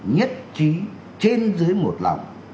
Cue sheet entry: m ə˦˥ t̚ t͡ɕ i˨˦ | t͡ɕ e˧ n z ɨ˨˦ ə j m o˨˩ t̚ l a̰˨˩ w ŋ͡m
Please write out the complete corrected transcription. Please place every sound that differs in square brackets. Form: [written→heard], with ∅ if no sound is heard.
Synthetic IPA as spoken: [m→ɲ] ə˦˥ t̚ t͡ɕ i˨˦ | t͡ɕ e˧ n z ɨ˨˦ ə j m o˨˩ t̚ l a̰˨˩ w ŋ͡m